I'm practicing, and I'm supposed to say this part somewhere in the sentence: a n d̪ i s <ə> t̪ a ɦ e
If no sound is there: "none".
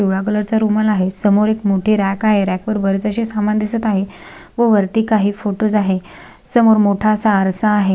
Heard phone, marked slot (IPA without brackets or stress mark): ə